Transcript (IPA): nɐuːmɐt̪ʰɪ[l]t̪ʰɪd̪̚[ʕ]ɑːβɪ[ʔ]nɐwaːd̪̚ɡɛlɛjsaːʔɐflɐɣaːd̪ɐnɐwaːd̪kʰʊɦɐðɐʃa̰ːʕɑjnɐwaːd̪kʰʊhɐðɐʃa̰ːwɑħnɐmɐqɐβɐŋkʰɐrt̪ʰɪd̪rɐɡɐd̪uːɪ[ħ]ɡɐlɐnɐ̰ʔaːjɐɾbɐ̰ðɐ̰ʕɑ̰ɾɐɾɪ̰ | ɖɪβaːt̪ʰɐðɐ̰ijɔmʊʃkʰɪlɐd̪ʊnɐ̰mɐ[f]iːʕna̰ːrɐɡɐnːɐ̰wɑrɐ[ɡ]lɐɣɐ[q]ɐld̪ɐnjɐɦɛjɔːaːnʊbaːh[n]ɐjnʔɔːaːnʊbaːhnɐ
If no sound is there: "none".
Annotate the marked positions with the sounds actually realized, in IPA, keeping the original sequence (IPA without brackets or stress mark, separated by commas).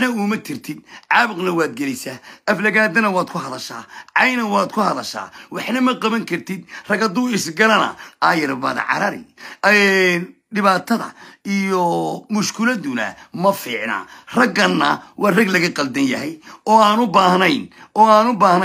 r, ʕ, q, s, f, ɡ, q, n